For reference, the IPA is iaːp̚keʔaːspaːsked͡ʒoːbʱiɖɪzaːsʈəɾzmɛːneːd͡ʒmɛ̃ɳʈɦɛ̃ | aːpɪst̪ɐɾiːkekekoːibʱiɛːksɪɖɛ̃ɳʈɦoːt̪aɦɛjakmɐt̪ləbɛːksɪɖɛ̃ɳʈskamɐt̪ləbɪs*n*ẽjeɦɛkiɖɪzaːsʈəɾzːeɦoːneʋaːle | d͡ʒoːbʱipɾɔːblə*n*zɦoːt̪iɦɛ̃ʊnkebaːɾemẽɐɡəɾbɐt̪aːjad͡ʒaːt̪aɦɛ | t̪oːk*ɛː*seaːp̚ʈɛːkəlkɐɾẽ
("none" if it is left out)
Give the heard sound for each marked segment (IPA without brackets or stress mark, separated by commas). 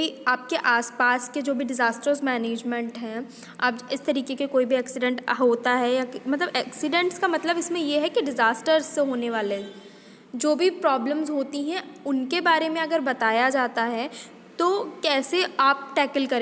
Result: m, m, ɛː